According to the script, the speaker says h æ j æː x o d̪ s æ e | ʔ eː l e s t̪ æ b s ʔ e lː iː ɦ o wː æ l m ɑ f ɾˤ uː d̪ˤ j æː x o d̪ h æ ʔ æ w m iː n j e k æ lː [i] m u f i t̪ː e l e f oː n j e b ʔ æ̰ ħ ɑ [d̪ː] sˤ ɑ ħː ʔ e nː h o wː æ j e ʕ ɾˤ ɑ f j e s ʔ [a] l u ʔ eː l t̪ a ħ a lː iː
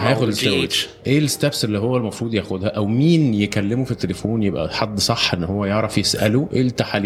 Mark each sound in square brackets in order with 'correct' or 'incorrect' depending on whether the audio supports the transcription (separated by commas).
incorrect, correct, incorrect